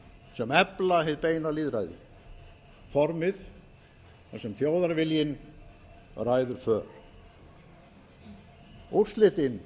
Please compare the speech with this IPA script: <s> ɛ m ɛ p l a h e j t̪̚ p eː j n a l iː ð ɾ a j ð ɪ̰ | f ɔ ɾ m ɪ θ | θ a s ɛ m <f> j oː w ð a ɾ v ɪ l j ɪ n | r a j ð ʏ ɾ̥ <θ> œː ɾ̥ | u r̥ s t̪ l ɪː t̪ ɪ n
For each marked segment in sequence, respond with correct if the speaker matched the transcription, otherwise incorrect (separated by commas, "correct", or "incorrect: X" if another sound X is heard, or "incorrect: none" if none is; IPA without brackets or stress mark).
correct, incorrect: θ, incorrect: f